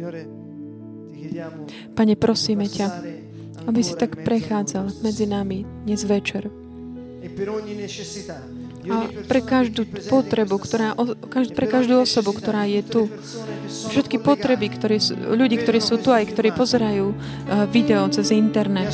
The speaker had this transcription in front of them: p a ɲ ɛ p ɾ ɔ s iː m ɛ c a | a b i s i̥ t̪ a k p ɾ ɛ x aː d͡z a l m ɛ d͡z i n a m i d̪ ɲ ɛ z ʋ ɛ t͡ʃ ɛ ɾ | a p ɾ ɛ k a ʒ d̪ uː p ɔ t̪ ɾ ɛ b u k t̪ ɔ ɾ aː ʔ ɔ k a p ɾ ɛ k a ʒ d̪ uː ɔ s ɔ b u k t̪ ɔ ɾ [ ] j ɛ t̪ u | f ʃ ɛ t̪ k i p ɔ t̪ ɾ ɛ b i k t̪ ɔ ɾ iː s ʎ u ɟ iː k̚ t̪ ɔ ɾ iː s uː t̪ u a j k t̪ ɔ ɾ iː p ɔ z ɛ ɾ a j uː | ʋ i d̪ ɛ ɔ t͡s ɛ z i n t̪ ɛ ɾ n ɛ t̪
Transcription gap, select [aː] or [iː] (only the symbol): aː